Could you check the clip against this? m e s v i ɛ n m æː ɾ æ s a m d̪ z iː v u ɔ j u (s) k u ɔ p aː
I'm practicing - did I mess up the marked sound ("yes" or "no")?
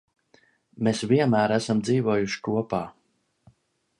yes